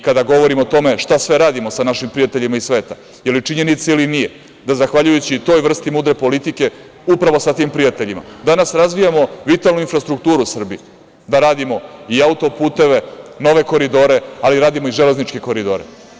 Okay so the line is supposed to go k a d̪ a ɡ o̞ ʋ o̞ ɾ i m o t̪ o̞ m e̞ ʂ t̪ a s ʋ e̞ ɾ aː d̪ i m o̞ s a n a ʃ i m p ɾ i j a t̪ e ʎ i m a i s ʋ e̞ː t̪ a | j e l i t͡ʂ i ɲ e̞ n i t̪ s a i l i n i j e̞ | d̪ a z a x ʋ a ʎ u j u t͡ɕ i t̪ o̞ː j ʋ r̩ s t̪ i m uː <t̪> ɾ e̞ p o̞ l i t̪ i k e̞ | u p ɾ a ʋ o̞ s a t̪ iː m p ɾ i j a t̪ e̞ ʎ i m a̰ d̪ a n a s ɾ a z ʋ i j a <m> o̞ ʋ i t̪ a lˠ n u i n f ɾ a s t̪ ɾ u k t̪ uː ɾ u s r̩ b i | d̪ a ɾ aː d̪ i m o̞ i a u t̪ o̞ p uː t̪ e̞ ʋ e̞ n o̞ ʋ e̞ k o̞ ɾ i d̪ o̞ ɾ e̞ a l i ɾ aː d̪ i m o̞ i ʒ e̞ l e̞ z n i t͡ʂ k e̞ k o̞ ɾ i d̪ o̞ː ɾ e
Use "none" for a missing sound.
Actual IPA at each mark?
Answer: d̪, m

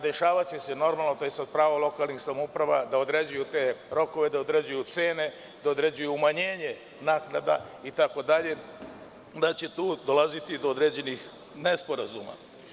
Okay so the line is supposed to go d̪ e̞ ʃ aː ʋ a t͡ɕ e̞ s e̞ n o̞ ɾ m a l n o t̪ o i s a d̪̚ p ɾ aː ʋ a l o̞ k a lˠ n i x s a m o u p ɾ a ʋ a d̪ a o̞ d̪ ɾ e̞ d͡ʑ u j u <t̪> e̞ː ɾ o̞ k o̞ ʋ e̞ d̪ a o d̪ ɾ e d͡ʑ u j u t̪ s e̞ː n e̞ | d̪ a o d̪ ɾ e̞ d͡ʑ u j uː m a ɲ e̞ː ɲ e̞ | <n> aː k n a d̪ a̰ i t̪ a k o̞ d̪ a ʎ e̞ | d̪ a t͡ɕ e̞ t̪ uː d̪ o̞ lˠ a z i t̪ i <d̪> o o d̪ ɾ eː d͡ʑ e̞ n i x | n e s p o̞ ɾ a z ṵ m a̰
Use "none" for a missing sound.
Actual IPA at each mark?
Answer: t̪, n, d̪

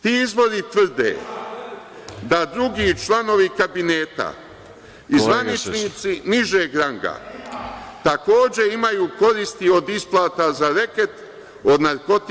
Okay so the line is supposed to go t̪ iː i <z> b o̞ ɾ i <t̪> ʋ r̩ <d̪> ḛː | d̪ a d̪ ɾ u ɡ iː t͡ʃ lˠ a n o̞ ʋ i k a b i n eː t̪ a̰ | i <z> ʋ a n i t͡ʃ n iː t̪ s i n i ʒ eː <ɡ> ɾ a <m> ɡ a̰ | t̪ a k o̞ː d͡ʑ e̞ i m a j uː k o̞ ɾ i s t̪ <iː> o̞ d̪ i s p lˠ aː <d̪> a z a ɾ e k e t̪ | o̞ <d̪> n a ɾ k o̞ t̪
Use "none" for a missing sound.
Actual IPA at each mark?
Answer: z, t̪, d̪, z, ɡ, ŋ, i, t̪, d̪

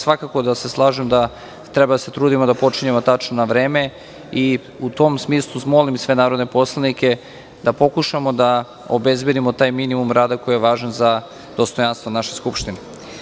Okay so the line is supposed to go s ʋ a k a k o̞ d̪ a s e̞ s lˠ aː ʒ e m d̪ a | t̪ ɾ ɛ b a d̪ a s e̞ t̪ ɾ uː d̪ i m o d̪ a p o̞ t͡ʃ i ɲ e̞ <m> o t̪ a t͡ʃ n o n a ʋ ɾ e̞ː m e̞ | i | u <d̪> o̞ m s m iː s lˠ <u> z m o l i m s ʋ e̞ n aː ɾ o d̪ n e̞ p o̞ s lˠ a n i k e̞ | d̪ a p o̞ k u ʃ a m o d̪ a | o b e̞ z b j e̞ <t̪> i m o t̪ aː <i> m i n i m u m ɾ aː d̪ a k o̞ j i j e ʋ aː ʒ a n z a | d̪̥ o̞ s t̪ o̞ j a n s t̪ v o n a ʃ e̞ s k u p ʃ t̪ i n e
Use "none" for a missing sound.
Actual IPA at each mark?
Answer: m, t̪, u, d̪, j

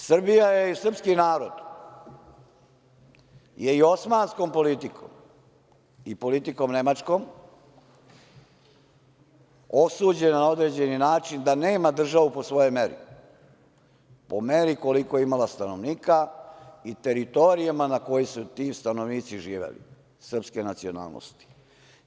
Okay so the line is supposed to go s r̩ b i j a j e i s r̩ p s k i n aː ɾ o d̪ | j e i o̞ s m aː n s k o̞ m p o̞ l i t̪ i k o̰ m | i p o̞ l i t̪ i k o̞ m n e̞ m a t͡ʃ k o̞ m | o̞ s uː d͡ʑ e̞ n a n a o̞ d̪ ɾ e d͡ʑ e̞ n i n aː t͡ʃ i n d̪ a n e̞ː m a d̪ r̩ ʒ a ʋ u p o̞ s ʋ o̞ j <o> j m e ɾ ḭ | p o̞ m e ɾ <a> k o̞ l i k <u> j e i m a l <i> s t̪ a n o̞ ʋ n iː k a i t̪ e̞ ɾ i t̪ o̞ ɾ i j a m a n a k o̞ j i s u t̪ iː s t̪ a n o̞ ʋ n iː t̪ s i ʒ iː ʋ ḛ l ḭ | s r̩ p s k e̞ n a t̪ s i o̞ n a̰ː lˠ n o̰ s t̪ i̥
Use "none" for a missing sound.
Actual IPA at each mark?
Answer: o, i, o, a

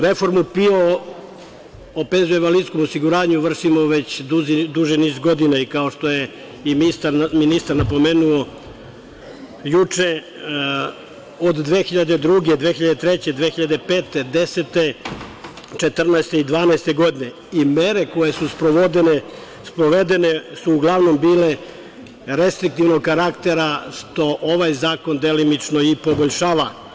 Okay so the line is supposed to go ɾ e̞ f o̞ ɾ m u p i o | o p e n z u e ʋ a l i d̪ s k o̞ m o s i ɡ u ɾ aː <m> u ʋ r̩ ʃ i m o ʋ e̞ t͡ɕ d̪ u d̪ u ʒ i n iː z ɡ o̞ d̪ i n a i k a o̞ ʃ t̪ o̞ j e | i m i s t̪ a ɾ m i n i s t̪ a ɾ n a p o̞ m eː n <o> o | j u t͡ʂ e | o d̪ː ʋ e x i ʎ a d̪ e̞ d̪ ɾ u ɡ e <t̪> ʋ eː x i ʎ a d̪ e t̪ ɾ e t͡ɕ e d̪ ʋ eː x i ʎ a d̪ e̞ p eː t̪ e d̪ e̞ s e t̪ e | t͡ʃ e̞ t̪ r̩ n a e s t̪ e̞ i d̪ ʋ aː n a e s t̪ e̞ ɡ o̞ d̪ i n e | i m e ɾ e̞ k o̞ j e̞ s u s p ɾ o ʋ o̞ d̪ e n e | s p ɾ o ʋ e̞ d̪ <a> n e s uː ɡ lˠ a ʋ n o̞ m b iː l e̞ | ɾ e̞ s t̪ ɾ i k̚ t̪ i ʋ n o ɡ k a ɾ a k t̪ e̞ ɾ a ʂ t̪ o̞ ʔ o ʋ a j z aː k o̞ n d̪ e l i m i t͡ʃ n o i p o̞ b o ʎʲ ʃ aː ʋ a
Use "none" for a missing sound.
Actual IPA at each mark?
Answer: ɲ, u, d̪, e

